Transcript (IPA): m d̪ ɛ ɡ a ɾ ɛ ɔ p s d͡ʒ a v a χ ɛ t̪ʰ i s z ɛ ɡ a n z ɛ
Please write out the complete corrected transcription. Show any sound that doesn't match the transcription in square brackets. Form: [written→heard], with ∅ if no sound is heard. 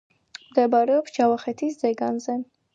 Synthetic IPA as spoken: m d̪ ɛ [ɡ→b] a ɾ ɛ ɔ p s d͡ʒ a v a χ ɛ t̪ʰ i s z ɛ ɡ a n z ɛ